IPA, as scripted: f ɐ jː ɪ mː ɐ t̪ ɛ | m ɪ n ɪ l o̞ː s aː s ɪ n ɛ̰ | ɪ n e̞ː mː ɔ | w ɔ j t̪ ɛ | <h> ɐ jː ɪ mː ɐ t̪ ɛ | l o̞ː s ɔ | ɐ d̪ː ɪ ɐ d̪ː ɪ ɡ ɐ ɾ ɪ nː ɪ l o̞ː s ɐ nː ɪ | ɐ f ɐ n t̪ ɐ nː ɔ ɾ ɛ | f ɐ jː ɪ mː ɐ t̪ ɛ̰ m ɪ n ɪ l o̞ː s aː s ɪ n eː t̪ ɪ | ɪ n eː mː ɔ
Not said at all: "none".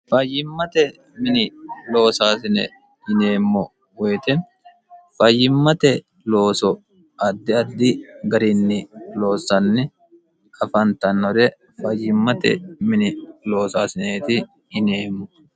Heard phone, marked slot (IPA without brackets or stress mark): f